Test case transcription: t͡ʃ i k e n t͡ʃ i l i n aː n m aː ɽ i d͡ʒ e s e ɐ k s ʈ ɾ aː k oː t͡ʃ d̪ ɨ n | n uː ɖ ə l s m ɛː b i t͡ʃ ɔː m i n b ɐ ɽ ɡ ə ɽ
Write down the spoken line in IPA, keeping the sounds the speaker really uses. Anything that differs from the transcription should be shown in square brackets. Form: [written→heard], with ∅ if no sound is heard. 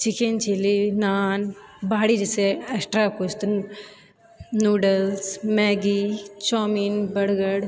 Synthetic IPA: t͡ʃ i k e n t͡ʃ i l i n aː n [m→b] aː ɽ i d͡ʒ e s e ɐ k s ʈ ɾ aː k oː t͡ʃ [d̪→t̪] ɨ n | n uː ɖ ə l s m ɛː [b→ɡ] i t͡ʃ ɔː m i n b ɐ ɽ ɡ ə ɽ